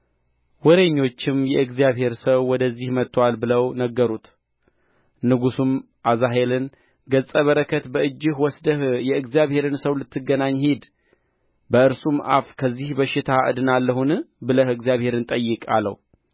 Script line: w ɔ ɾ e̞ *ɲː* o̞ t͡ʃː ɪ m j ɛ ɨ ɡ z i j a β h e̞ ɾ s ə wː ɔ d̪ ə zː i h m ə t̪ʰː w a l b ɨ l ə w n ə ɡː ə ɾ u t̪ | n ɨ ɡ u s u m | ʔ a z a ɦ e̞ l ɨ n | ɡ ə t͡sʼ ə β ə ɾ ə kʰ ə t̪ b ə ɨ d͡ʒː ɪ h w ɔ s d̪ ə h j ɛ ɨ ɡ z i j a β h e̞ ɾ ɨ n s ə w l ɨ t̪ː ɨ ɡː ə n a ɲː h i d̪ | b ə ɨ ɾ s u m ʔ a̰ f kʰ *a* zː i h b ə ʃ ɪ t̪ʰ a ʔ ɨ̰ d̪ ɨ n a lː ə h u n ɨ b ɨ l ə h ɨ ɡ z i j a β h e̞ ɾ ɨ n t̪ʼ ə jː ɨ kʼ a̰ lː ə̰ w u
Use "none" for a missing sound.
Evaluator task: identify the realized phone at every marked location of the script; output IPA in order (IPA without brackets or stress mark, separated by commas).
ɲː, ə